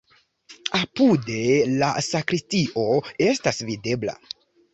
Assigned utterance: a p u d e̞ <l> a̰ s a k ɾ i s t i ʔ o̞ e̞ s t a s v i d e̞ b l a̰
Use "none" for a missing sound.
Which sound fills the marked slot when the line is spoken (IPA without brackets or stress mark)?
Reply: l